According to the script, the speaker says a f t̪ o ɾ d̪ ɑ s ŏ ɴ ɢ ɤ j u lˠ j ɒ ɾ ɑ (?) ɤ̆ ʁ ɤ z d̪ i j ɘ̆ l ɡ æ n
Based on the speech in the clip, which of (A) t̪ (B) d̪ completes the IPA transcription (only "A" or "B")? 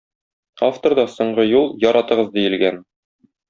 A